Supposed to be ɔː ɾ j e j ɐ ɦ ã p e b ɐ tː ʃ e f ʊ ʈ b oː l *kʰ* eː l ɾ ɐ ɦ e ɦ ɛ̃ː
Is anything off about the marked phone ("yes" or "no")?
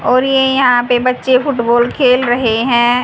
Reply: no